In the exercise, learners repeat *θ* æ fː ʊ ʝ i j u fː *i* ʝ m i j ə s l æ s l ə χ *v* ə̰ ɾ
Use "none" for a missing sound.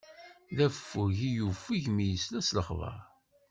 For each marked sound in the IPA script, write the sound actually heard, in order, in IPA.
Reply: ð, i, v

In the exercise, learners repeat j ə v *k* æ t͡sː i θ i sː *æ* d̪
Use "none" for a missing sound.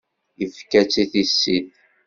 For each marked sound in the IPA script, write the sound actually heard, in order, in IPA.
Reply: k, i

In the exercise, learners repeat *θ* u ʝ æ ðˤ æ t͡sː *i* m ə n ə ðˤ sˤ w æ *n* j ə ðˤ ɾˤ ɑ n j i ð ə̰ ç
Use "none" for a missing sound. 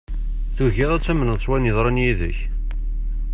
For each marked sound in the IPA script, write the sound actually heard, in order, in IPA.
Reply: θ, æ, n

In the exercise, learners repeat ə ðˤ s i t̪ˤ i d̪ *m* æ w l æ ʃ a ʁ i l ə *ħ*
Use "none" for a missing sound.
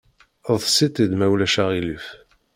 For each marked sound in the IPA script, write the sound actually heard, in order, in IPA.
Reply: m, f

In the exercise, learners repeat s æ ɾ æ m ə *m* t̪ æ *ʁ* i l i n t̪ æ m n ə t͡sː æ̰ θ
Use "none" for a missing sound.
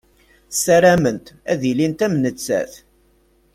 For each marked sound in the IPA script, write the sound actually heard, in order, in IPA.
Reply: n, ð

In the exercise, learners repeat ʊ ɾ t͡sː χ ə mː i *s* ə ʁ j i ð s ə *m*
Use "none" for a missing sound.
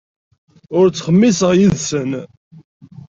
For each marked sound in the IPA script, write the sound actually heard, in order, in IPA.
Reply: s, n

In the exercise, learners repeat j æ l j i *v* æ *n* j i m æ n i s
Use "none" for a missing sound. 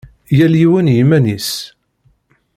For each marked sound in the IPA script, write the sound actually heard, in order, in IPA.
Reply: w, n

